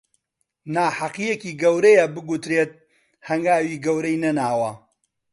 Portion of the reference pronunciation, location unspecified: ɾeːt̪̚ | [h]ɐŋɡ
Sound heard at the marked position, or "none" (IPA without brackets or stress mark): h